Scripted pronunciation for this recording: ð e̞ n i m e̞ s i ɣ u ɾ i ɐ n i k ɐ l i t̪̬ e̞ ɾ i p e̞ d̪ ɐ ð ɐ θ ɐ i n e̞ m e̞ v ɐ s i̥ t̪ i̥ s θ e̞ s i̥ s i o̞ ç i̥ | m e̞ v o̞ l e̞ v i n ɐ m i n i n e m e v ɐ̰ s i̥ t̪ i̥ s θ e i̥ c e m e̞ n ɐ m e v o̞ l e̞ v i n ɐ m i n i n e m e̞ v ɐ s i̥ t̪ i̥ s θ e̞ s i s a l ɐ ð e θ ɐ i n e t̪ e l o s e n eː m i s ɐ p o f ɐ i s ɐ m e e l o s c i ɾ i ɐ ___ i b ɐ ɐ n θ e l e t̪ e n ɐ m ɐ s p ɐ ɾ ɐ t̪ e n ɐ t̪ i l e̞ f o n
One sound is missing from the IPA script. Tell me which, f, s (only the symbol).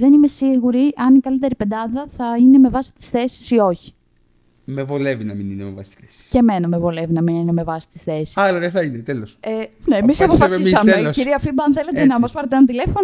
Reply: f